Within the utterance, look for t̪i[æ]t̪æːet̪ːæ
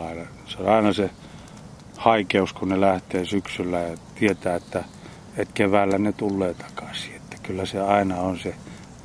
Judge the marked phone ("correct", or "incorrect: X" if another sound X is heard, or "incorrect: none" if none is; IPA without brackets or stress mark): incorrect: e